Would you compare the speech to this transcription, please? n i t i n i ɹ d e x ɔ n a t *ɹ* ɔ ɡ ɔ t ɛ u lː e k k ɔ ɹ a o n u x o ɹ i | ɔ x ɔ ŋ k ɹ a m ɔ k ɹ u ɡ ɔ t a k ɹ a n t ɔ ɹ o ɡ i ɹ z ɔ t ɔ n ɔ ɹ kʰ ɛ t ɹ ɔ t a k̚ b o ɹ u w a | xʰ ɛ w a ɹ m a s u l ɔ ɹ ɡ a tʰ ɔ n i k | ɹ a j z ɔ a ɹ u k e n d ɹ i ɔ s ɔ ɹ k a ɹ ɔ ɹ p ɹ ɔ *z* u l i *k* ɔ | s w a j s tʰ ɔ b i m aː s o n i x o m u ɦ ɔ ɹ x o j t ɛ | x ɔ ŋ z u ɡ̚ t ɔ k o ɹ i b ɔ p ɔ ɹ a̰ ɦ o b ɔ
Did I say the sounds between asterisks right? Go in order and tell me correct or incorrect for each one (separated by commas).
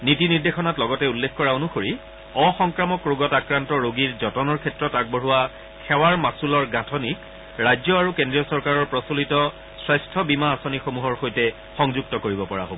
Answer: incorrect, incorrect, incorrect